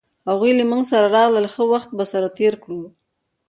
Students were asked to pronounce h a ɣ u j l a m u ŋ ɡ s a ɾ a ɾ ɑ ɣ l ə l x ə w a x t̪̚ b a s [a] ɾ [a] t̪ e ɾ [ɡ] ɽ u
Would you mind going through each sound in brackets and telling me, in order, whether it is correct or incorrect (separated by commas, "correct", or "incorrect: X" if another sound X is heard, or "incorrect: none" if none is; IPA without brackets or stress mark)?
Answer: correct, correct, incorrect: k